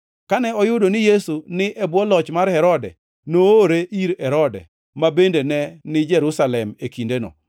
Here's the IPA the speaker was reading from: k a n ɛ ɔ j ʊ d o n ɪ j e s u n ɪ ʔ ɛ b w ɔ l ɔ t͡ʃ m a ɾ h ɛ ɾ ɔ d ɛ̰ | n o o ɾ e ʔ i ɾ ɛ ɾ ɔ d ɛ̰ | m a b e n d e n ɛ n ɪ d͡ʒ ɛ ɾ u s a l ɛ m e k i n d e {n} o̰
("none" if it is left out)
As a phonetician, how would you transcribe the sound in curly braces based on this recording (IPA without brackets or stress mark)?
n